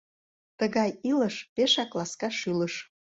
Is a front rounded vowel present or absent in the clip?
present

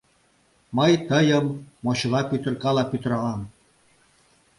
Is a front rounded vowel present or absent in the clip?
present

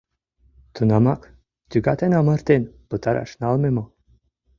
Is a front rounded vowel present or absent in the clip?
present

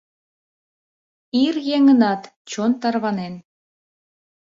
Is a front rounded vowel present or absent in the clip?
absent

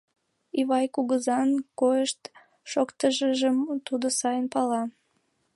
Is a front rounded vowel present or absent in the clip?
absent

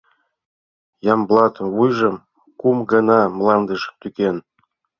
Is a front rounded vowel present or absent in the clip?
present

